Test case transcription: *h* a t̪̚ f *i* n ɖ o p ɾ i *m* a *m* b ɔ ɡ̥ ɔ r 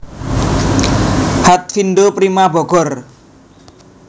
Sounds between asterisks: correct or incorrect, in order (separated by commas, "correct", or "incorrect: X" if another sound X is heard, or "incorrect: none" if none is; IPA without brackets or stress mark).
correct, correct, correct, incorrect: none